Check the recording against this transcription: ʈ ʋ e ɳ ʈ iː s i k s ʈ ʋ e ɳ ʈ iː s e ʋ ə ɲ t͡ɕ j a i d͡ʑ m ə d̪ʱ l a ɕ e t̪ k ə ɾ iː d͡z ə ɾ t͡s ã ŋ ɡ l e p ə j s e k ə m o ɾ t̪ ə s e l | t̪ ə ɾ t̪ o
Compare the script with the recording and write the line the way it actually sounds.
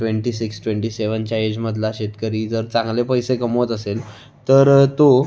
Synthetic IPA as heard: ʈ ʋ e ɳ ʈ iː s i k s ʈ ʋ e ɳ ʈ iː s e ʋ ə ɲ t͡ɕ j a e d͡ʑ m ə d̪ʱ l a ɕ e t̪ k ə ɾ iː d͡z ə ɾ t͡s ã ŋ ɡ l e p ə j s e k ə m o t̪ ə s e l | t̪ ə ɾ t̪ o

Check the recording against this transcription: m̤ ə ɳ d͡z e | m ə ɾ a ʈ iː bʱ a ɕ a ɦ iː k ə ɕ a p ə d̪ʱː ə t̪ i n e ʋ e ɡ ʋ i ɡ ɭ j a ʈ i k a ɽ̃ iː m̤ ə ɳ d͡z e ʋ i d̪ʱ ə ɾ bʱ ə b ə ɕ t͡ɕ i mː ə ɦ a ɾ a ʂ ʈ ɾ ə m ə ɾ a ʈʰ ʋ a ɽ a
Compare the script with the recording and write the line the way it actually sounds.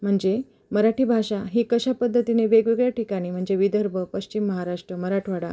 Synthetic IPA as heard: m̤ ə ɳ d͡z e | m ə ɾ a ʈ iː bʱ a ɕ a ɦ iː k ə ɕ a p ə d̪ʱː ə t̪ i n e ʋ e ɡ ʋ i ɡ ɭ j a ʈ i k a ɽ̃ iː m̤ ə ɳ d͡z e ʋ i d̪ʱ ə ɾ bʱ ə p ə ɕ t͡ɕ i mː ə ɦ a ɾ a ʂ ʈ ɾ ə m ə ɾ a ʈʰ ʋ a ɽ a

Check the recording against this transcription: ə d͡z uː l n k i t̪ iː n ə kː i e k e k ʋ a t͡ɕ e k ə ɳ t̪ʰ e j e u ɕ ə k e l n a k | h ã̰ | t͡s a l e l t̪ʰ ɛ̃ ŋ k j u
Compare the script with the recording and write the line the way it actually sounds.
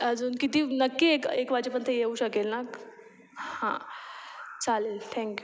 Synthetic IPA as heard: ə d͡z uː n k i t̪ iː n ə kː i e k e k ʋ a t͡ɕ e p ə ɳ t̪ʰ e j e u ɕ ə k e l n a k | h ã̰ | t͡s a l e l t̪ʰ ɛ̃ ŋ k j u

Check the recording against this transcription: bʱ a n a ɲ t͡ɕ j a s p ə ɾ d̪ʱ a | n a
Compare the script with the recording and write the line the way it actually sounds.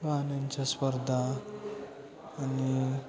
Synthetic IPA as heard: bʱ a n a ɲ t͡ɕ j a s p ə ɾ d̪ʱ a | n i

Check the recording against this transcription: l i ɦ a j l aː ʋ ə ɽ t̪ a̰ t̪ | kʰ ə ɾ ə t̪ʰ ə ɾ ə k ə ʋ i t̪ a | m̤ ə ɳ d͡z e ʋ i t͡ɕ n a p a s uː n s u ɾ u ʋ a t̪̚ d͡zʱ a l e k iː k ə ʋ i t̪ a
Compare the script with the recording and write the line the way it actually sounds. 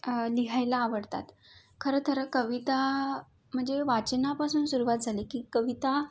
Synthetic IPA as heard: l i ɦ a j l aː ʋ ə ɽ t̪ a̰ t̪ | kʰ ə ɾ ə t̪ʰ ə ɾ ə k ə ʋ i t̪ a | m̤ ə ɳ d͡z e ʋ a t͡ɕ n a p a s uː n s u ɾ u ʋ a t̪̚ d͡zʱ a l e k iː k ə ʋ i t̪ a

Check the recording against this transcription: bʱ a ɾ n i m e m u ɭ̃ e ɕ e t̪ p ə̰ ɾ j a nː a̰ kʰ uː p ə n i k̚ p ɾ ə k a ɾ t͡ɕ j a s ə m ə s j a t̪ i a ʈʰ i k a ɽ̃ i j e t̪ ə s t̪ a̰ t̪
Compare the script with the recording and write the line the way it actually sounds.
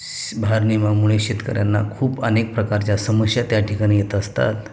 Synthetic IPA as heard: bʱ a ɾ n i m a m u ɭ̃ e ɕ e t̪ k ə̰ ɾ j a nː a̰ kʰ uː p ə n e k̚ p ɾ ə k a ɾ t͡ɕ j a s ə m ə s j a t̪ j a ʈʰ i k a ɽ̃ i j e t̪ ə s t̪ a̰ t̪

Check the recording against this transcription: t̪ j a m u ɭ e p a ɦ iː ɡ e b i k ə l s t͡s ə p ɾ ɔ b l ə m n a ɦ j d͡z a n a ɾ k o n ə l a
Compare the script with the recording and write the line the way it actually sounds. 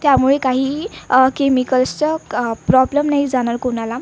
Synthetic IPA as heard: t̪ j a m u ɭ e k a ɦ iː k e m i k ə l s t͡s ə p ɾ ɔ b l ə m n a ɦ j d͡z a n a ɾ k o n a l a

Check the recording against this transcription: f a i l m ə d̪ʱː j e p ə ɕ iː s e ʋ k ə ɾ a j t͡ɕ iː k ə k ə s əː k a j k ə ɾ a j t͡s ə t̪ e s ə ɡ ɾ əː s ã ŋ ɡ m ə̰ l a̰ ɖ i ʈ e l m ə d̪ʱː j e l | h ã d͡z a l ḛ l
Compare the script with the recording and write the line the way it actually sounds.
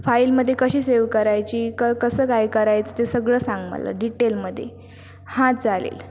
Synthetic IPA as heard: f a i l m ə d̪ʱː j e k ə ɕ iː s e ʋ k ə ɾ a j t͡ɕ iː k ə k ə s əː k a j k ə ɾ a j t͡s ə t̪ e s ə ɡ ɭ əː s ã ŋ ɡ m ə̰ l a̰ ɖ i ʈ e l m ə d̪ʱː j e | h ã d͡z a l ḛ l

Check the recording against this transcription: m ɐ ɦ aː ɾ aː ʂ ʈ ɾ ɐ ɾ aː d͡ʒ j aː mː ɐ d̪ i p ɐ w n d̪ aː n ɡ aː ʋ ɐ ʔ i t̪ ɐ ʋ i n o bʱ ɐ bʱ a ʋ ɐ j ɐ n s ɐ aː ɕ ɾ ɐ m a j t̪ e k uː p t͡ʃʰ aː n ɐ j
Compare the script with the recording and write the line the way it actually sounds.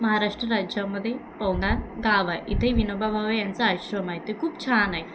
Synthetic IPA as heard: m ɐ ɦ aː ɾ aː ʂ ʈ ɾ ɐ ɾ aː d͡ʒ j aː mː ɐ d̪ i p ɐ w n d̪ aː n ɡ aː ʋ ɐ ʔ i t̪ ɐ ʋ i n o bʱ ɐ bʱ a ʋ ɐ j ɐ n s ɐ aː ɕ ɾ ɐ m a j t̪ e k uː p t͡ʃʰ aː n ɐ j

